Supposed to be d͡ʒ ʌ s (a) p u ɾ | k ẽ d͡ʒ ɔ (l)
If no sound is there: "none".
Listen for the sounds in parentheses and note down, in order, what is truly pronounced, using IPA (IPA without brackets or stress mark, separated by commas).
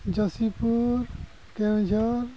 i, ɾ